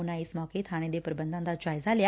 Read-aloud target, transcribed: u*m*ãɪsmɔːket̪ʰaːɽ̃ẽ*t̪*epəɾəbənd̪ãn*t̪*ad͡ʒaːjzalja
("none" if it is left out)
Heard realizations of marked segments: n, d̪, d̪

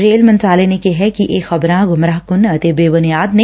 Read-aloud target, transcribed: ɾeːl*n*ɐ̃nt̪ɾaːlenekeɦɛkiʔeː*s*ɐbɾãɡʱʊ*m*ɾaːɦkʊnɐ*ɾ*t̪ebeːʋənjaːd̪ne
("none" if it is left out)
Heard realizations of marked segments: m, x, m, none

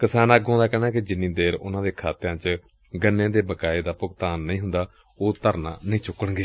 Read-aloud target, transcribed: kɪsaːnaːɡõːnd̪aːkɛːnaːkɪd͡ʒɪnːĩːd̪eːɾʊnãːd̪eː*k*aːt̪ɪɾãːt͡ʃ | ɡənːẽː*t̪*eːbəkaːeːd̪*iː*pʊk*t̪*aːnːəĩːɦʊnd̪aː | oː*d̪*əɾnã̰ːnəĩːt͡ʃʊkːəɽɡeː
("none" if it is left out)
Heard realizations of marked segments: kʰ, d̪, aː, t̪, t̪

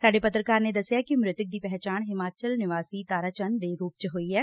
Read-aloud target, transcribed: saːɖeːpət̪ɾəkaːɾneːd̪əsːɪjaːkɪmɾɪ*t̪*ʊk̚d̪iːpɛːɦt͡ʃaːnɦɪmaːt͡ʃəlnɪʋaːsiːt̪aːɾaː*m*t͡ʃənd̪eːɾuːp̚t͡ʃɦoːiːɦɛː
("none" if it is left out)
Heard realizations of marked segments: t̪, none

